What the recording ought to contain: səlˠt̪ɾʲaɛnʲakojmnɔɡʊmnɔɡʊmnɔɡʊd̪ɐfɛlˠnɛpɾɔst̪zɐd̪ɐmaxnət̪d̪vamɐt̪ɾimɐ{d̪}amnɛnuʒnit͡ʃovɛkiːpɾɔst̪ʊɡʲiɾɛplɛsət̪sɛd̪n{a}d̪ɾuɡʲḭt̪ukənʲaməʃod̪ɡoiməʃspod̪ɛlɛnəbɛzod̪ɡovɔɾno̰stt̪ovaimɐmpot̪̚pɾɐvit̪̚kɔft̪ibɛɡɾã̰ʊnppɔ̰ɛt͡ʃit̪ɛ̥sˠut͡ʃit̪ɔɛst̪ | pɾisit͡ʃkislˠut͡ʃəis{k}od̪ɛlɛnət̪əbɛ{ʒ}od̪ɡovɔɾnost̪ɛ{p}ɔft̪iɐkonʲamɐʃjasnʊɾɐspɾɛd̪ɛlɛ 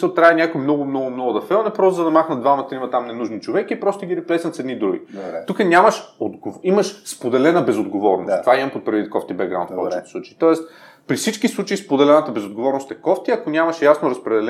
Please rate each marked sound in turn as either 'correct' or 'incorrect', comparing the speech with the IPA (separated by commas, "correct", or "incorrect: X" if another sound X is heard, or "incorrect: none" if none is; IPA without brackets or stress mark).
incorrect: t̪, incorrect: i, incorrect: p, incorrect: z, incorrect: k